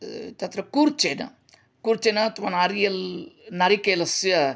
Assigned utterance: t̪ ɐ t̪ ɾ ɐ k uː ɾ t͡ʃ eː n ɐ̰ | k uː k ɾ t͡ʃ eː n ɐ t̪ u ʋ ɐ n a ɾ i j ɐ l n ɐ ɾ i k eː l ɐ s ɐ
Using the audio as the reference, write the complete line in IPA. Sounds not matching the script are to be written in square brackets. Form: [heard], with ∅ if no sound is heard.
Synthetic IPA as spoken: t̪ ɐ t̪ ɾ ɐ k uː ɾ t͡ʃ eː n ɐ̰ | k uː [∅] ɾ t͡ʃ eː n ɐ t̪ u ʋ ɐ n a ɾ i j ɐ l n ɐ ɾ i k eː l ɐ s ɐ